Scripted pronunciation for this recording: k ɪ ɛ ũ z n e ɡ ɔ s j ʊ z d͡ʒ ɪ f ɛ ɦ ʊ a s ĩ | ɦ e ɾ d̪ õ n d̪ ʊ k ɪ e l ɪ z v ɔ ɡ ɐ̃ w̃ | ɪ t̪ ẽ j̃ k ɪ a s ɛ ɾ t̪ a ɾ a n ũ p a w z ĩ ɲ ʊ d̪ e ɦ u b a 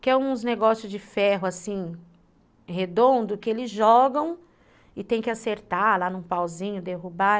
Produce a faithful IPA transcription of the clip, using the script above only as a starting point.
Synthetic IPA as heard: k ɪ ɛ ũ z n e ɡ ɔ s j ʊ z d͡ʒ ɪ f ɛ ɦ ʊ a s ĩ | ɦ e d̪ õ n d̪ ʊ k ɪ e l ɪ z ʒ ɔ ɡ ɐ̃ w̃ | ɪ t̪ ẽ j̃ k ɪ a s e ɾ t̪ a l a n ũ p a w z ĩ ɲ ʊ d̪ e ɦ u b a

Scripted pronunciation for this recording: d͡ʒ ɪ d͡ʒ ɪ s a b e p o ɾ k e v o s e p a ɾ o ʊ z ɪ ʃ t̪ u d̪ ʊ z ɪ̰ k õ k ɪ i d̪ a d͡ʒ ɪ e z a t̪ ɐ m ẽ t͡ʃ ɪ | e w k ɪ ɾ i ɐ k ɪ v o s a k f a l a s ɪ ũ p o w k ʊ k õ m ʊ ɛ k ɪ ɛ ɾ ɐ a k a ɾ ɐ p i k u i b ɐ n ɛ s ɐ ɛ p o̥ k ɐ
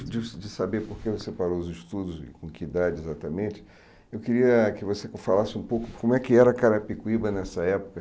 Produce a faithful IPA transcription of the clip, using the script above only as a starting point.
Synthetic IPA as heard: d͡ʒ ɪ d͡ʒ ɪ s a b e p o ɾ k e v o s e p a ɾ o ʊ z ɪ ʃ t̪ u d̪ ʊ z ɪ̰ k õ k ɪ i d̪ a d͡ʒ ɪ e z a t̪ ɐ m ẽ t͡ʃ ɪ | e w k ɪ ɾ i ɐ k ɪ v o s e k f a l a s ɪ ũ p o w k ʊ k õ m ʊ ɛ k ɪ ɛ ɾ ɐ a k a ɾ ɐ p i k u i b ɐ n ɛ s ɐ ɛ p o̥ k ɐ

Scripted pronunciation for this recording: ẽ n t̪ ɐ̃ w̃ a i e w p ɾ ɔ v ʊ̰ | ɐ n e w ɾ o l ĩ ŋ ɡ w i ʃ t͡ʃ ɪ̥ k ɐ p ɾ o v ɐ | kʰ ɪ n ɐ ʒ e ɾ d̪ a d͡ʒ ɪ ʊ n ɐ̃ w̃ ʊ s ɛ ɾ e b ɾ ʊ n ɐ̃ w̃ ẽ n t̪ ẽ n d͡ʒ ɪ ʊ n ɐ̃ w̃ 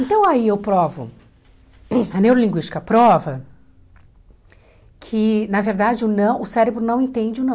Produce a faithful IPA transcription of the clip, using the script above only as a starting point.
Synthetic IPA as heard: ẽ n t̪ ɐ̃ w̃ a i e w p ɾ ɔ v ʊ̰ | ɐ n e w ɾ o l ĩ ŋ ɡ w i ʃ t͡ʃ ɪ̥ k ɐ p ɾ ɔ v ɐ | kʰ ɪ n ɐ v e ɾ d̪ a d͡ʒ ɪ ʊ n ɐ̃ w̃ ʊ s ɛ ɾ e b ɾ ʊ n ɐ̃ w̃ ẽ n t̪ ẽ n d͡ʒ ɪ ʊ n ɐ̃ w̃

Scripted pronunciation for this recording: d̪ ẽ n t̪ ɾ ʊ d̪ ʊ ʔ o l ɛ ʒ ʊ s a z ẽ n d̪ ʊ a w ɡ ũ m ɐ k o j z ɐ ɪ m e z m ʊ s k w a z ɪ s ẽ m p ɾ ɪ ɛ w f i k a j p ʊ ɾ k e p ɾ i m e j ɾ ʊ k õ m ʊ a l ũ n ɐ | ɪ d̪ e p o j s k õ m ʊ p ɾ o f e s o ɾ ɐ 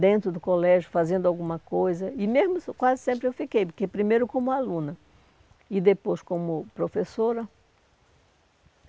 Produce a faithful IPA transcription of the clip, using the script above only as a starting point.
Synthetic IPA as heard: d̪ ẽ n t̪ ɾ ʊ d̪ ʊ k o l ɛ ʒ ʊ f a z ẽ n d̪ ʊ a w ɡ ũ m ɐ k o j z ɐ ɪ m e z m ʊ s k w a z ɪ s ẽ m p ɾ ɪ e w f i k e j p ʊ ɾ k e p ɾ i m e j ɾ ʊ k õ m ʊ a l ũ n ɐ | ɪ d̪ e p o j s k õ m ʊ p ɾ o f e s o ɾ ɐ

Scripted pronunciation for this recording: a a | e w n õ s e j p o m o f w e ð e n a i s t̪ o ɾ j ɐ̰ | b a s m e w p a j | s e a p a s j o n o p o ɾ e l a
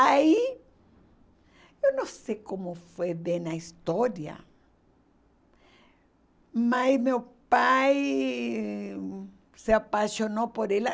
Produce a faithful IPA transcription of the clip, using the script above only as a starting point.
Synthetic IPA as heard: a i | e w n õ s e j k o m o f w e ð e n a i s t̪ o ɾ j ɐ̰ | m a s m e w p a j | s e a p a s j o n o p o ɾ e l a

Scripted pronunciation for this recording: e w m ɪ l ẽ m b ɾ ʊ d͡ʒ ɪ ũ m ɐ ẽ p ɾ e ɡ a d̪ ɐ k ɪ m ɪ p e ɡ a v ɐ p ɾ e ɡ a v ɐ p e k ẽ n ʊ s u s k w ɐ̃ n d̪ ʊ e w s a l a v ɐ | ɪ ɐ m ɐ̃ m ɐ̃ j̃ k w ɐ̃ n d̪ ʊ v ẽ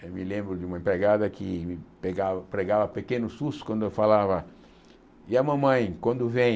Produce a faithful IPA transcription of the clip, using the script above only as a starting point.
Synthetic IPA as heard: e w m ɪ l ẽ m b ɾ ʊ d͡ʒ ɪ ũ m ɐ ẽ p ɾ e ɡ a d̪ ɐ k ɪ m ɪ p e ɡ a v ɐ p ɾ e ɡ a v ɐ p e k ẽ n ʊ s u s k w ɐ̃ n d̪ ʊ e w f a l a v ɐ | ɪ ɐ m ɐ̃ m ɐ̃ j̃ k w ɐ̃ n d̪ ʊ v ẽ

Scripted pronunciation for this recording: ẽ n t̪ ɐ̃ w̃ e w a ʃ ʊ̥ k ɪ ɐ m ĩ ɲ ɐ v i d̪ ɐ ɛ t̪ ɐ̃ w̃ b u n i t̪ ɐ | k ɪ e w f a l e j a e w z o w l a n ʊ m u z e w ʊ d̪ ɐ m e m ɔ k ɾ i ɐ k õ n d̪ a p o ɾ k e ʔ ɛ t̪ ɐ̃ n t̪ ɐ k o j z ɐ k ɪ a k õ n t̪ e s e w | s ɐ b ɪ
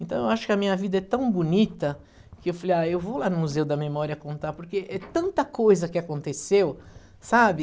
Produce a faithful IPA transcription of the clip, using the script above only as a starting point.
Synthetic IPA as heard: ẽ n t̪ ɐ̃ w̃ e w a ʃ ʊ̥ k ɪ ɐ m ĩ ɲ ɐ v i d̪ ɐ ɛ t̪ ɐ̃ w̃ b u n i t̪ ɐ | k ɪ e w f a l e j a e w v o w l a n ʊ m u z e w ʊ d̪ ɐ m e m ɔ ɾ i ɐ k õ n t̪ a p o ɾ k e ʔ ɛ t̪ ɐ̃ n t̪ ɐ k o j z ɐ k ɪ a k õ n t̪ e s e w | s a b ɪ

